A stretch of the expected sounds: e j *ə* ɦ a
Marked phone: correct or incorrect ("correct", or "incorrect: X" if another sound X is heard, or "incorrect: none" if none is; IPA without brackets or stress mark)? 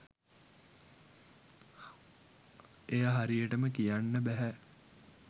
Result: incorrect: a